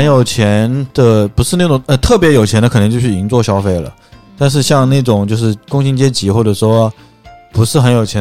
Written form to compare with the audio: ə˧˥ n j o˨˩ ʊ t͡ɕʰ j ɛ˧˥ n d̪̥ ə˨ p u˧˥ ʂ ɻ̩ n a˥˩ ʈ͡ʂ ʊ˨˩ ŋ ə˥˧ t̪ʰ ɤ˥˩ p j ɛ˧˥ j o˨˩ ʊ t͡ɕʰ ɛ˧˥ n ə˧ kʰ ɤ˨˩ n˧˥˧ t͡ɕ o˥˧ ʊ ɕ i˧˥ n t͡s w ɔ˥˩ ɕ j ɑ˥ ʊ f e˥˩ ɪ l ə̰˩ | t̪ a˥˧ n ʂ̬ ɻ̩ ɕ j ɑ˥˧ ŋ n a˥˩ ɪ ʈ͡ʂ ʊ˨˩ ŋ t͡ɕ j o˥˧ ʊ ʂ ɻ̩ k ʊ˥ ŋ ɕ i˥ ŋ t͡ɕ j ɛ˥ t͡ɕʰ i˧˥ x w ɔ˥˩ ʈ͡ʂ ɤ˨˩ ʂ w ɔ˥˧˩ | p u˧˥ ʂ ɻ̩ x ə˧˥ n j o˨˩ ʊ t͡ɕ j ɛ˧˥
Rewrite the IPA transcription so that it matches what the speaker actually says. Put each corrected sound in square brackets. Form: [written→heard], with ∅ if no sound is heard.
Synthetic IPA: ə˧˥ n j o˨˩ ʊ t͡ɕʰ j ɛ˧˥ n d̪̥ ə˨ p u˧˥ ʂ ɻ̩ n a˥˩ ʈ͡ʂ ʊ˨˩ ŋ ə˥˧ t̪ʰ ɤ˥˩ p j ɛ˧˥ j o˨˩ ʊ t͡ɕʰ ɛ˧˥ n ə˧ kʰ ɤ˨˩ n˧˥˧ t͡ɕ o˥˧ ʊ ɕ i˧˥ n t͡s w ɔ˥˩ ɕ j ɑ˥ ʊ f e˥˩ ɪ l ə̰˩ | t̪ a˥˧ n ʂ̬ ɻ̩ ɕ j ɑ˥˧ ŋ n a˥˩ ɪ ʈ͡ʂ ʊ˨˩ ŋ t͡ɕ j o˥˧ ʊ ʂ ɻ̩ k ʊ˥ ŋ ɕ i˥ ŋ t͡ɕ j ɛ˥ [t͡ɕʰ→t͡ɕ] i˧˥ x w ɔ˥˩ ʈ͡ʂ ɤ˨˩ ʂ w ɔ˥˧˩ | p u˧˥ ʂ ɻ̩ x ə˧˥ n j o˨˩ ʊ [t͡ɕ→t͡ɕʰ] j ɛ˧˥